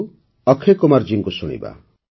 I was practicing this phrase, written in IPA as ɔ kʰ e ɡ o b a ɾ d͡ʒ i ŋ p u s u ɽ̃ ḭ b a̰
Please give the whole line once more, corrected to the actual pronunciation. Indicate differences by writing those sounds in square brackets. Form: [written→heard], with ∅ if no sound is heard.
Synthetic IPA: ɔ kʰ e [ɡ→k] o [b→m] a ɾ d͡ʒ i ŋ [p→k] u s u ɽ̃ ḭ b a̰